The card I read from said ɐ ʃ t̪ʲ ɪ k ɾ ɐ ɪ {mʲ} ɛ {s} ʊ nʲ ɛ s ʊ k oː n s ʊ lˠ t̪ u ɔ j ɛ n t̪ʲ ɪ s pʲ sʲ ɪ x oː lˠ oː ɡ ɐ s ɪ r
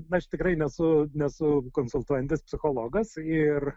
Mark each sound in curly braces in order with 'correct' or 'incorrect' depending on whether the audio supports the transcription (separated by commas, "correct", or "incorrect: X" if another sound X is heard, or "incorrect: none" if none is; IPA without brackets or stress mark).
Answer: incorrect: nʲ, correct